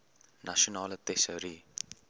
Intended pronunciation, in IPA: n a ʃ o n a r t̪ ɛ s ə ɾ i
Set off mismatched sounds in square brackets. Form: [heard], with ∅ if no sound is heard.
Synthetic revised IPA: n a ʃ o n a [l] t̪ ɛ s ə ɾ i